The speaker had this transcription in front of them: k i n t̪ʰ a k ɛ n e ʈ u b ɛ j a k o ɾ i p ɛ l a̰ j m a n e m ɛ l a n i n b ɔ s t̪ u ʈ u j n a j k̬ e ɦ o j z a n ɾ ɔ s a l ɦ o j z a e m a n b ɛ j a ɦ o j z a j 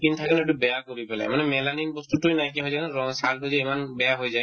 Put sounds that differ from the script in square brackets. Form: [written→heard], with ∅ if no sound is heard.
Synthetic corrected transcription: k i n t̪ʰ a k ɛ n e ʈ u b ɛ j a k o ɾ i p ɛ l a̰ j m a n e m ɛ l a n i n b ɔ s t̪ u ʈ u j n a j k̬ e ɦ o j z a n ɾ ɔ s a l ɦ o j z a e m a n b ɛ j a ɦ o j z a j